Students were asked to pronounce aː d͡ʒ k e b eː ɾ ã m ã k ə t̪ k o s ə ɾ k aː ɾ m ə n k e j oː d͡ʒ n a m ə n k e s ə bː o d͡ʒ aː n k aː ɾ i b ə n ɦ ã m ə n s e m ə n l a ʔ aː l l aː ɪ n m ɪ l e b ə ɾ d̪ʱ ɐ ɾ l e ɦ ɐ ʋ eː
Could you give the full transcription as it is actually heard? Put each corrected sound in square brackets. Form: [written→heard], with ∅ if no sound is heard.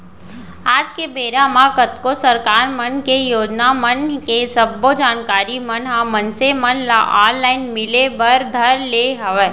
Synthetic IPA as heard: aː d͡ʒ k e b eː ɾ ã m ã k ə t̪ k o s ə ɾ k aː ɾ m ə n k e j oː d͡ʒ n a m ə n k e s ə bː o d͡ʒ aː n k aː ɾ i [b→m] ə n ɦ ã m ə n s e m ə n l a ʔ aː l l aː ɪ n m ɪ l e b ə ɾ d̪ʱ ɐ ɾ l e ɦ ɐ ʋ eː